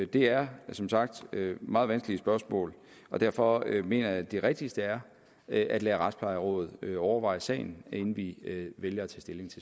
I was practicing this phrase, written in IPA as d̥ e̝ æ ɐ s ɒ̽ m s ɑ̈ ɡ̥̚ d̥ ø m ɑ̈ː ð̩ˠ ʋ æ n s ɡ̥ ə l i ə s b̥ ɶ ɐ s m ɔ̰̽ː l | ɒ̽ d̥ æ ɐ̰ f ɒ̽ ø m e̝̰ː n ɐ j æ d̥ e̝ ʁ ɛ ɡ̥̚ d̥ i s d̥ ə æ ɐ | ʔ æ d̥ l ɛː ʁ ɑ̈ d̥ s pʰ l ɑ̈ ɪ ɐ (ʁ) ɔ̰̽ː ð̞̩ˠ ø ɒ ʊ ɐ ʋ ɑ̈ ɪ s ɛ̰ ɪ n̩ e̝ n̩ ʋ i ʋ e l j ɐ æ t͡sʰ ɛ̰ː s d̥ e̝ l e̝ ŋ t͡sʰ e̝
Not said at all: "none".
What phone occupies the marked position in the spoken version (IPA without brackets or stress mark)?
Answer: ʁ